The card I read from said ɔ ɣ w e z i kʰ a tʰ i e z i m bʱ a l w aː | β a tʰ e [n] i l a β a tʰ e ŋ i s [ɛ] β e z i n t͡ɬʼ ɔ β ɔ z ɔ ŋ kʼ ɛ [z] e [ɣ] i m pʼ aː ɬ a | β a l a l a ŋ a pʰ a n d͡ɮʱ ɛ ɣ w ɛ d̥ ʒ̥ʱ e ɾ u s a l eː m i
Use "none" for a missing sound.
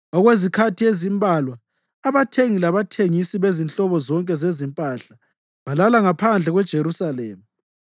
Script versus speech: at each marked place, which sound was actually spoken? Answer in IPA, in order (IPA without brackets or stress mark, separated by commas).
ŋ, i, z, z